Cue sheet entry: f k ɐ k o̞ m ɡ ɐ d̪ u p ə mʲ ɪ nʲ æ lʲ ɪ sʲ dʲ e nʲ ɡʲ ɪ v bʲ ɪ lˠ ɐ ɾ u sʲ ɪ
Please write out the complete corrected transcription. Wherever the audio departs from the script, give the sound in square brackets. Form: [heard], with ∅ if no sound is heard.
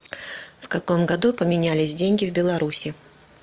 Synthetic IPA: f k ɐ k o̞ m ɡ ɐ d̪ u p ə mʲ ɪ nʲ æ lʲ ɪ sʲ dʲ e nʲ ɡʲ ɪ v bʲ ɪ lˠ ɐ ɾ u sʲ ɪ